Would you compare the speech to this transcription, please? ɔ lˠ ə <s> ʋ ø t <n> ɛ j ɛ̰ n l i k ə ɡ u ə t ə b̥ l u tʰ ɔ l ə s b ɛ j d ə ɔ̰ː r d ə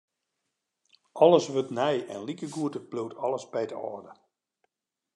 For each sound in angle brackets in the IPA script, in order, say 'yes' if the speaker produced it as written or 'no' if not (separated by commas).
yes, yes